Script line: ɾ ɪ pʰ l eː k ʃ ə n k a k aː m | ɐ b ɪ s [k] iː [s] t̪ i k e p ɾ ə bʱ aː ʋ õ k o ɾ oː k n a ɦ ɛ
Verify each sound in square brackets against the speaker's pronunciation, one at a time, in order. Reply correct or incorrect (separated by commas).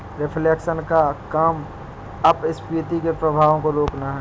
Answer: incorrect, incorrect